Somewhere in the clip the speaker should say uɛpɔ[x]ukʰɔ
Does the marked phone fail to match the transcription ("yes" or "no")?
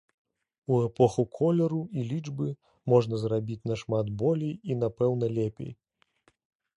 no